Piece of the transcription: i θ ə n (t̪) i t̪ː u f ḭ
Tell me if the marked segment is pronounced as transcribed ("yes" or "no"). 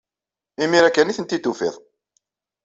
yes